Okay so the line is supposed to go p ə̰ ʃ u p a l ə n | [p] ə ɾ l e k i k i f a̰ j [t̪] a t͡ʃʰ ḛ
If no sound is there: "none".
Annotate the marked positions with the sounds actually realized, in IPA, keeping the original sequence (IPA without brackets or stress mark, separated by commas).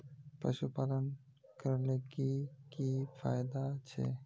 k, d̪